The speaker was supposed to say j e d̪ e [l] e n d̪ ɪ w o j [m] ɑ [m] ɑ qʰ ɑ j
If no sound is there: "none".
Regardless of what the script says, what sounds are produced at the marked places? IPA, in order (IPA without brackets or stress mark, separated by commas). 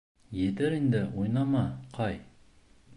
ɾ, n, m